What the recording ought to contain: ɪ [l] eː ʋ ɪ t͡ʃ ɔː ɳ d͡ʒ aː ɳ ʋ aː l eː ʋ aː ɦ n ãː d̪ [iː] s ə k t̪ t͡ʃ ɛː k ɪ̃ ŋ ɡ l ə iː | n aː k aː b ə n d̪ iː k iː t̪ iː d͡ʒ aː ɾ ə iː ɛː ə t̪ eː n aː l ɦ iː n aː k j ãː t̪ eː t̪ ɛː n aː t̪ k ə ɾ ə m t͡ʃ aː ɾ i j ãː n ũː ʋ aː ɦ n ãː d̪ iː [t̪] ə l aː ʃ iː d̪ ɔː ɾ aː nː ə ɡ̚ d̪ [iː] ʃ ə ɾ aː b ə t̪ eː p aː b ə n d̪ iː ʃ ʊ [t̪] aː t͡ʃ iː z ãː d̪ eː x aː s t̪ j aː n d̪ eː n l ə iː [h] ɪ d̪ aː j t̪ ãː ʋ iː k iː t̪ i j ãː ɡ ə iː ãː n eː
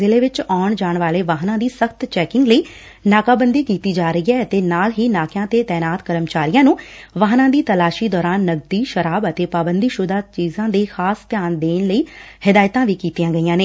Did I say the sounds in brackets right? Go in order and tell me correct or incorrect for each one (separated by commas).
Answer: correct, correct, correct, correct, incorrect, correct